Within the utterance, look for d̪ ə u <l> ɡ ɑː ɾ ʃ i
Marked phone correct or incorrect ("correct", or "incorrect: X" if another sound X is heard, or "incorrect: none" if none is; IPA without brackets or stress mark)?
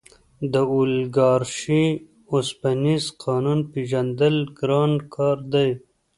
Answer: correct